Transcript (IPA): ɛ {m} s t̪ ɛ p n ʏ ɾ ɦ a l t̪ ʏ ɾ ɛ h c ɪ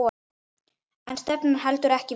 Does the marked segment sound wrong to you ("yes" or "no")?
yes